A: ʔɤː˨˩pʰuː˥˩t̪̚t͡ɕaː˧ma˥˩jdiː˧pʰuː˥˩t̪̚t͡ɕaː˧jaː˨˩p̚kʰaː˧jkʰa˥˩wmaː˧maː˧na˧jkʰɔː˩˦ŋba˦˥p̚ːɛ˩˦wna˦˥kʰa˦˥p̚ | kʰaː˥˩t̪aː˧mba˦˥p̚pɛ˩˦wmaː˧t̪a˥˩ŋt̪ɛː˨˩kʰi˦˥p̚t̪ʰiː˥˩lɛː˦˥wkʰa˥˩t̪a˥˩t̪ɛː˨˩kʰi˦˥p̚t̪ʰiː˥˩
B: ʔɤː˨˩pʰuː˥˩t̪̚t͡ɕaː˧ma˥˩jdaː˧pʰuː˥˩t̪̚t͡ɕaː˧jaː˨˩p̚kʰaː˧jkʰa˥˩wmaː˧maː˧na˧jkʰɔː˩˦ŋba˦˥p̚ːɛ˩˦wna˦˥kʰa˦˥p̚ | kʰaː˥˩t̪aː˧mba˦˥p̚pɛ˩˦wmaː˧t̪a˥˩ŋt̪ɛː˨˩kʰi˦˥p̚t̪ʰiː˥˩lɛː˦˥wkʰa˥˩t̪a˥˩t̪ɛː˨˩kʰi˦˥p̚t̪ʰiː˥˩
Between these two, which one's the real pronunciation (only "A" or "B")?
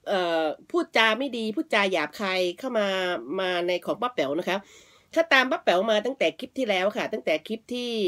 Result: A